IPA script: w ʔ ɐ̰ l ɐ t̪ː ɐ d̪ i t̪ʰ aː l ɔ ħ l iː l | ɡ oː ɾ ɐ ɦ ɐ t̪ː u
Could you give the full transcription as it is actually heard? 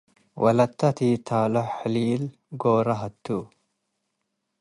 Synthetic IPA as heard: w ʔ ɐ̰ l ɐ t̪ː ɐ t̪ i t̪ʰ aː l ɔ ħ l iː l | ɡ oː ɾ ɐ ɦ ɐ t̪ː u